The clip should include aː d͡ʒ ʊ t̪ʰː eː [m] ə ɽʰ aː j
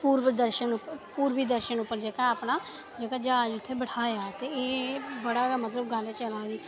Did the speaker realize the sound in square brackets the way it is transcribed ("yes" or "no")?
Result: no